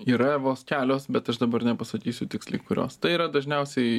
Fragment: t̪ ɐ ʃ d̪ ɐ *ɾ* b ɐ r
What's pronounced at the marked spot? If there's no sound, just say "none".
none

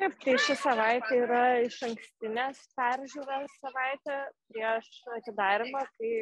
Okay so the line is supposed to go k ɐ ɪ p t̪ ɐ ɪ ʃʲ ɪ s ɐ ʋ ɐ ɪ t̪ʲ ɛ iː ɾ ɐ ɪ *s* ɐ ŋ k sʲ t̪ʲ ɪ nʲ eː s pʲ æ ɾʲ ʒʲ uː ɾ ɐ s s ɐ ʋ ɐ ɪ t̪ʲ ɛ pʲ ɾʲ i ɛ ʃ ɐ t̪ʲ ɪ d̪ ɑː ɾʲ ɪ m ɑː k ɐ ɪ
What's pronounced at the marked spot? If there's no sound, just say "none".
ʃ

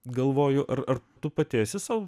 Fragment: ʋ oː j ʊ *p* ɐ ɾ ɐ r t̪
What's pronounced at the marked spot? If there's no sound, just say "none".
ʔ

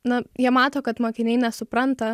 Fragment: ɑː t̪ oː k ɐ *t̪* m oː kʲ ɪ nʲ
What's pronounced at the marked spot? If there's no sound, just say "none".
t̪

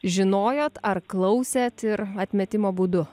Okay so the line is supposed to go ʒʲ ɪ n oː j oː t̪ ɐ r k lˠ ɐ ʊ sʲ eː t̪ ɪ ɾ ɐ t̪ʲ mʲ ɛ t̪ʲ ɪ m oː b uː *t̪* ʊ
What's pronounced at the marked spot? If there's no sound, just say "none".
d̪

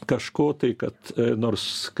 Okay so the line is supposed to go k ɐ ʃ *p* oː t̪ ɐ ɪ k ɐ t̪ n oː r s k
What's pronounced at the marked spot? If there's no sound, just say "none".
k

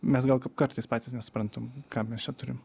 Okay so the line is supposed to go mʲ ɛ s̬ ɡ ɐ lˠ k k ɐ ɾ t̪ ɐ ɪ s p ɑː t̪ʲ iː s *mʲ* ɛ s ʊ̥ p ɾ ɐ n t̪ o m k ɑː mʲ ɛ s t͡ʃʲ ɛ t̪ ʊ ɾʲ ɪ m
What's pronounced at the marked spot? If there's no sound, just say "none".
nʲ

